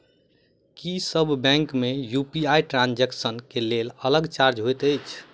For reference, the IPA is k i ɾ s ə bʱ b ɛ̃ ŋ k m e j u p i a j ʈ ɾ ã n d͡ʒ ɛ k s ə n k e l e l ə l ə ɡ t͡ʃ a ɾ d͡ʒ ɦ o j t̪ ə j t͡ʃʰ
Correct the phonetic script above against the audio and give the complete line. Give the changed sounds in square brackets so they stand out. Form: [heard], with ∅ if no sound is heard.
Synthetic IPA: k i [∅] s ə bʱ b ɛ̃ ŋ k m e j u p i a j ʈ ɾ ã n d͡ʒ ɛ k s ə n k e l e l ə l ə ɡ t͡ʃ a ɾ d͡ʒ ɦ o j t̪ ə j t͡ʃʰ